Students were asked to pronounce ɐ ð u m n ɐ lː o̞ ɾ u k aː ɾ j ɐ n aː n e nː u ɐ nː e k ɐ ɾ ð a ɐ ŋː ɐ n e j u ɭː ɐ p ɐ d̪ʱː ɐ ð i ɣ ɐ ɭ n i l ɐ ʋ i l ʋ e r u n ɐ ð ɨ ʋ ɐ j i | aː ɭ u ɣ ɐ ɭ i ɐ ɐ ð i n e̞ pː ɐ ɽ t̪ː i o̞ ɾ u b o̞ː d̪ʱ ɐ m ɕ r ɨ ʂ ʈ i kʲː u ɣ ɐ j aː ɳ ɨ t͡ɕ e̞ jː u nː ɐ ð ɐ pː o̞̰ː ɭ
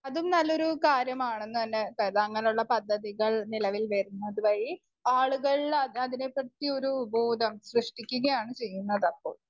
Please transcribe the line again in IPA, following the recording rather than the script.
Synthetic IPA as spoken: ɐ ð u m n ɐ lː o̞ ɾ u k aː ɾ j ɐ m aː ɳ e nː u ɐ nː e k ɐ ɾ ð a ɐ ŋː ɐ n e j u ɭː ɐ p ɐ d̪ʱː ɐ ð i ɣ ɐ ɭ n i l ɐ ʋ i l ʋ e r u nː ɐ ð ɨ ʋ ɐ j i | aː ɭ u ɣ ɐ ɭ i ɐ ɐ ð i n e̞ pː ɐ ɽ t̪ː i o̞ ɾ u b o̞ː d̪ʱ ɐ m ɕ r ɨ ʂ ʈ i kʲː u ɣ ɐ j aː ɳ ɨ t͡ɕ e̞ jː u nː ɐ ð ɐ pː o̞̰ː ɭ

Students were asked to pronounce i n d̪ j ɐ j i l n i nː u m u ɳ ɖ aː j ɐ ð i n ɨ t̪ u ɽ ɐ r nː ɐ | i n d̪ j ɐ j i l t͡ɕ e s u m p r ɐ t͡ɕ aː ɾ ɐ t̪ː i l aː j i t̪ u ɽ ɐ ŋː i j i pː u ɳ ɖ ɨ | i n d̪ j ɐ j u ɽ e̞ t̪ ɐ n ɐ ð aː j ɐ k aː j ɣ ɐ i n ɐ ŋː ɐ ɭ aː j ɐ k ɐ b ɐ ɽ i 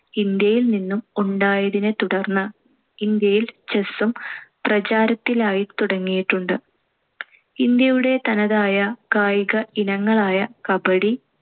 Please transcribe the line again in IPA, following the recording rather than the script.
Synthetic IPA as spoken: i n d̪ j ɐ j i l n i nː u m u ɳ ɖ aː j ɐ ð i n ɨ t̪ u ɽ ɐ r nː ɐ | i n d̪ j ɐ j i l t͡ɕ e s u m p r ɐ t͡ɕ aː ɾ ɐ t̪ː i l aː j i t̪ u ɽ ɐ ŋː i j i ʈː u ɳ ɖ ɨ | i n d̪ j ɐ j u ɽ e̞ t̪ ɐ n ɐ ð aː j ɐ k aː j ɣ ɐ i n ɐ ŋː ɐ ɭ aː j ɐ k ɐ b ɐ ɽ i

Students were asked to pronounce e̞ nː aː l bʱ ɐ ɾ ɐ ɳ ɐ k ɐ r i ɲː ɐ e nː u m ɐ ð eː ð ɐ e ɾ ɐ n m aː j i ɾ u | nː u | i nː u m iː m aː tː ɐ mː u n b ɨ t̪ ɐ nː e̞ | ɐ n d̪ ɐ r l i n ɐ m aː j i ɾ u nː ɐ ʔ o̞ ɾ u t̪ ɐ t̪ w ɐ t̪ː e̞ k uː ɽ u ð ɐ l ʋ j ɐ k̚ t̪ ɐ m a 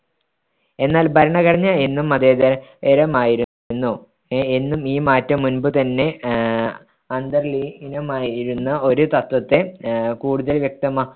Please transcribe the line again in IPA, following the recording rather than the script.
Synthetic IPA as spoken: e̞ nː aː l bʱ ɐ ɾ ɐ ɳ ɐ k ɐ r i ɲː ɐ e nː u m ɐ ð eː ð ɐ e ɾ ɐ m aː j i ɾ u | nː u | e nː u m iː m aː tː ɐ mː u n b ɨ t̪ ɐ nː e̞ | ɐ n d̪ ɐ r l i n ɐ m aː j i ɾ u nː ɐ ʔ o̞ ɾ u t̪ ɐ t̪ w ɐ t̪ː e̞ k uː ɽ u ð ɐ l ʋ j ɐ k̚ t̪ ɐ m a

